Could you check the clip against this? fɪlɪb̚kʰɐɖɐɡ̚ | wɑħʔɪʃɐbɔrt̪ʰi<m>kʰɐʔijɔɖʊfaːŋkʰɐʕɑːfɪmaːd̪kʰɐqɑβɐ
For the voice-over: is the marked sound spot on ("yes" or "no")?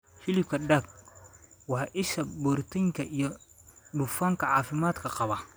no